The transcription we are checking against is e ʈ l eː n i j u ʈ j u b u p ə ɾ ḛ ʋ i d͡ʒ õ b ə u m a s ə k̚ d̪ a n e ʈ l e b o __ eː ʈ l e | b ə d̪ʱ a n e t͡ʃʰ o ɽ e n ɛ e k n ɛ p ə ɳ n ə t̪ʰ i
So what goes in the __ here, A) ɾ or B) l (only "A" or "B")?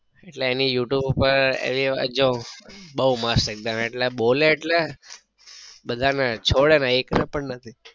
B